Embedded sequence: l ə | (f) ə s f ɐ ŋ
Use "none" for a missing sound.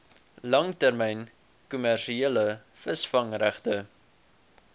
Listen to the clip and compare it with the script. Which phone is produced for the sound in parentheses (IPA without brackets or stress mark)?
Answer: f